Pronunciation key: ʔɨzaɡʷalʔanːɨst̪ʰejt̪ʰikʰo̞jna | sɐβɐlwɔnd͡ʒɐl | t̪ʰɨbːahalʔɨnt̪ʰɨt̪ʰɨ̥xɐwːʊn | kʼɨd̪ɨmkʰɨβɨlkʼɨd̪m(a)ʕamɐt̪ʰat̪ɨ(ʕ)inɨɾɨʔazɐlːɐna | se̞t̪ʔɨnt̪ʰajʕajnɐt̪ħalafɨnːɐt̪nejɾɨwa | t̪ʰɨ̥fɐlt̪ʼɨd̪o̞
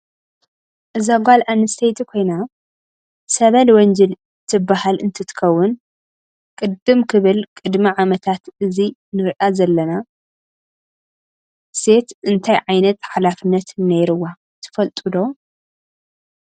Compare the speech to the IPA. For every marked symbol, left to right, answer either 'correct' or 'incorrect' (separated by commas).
incorrect, incorrect